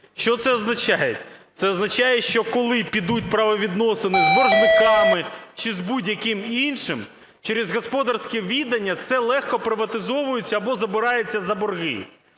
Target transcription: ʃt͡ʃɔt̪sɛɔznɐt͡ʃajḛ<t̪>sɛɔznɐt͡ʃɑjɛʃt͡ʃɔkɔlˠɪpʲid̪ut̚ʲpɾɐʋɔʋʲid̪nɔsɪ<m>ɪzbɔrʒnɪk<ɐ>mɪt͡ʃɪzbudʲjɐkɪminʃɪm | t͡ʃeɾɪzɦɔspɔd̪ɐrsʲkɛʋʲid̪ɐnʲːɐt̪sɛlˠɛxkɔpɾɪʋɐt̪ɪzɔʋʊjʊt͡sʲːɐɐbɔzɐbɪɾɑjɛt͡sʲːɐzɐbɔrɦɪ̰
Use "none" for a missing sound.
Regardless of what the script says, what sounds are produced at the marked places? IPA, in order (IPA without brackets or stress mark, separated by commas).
t̪, n, ɑ